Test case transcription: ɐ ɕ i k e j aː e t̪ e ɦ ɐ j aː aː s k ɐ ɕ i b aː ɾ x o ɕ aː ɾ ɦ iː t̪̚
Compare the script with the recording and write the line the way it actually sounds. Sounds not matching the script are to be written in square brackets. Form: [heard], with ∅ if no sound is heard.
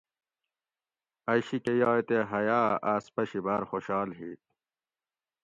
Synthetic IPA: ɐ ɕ i k e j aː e t̪ e ɦ ɐ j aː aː s [p] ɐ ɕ i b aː ɾ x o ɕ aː [l] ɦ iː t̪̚